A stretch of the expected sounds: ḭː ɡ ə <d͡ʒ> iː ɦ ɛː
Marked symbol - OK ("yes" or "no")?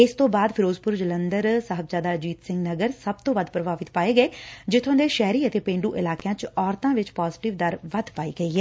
no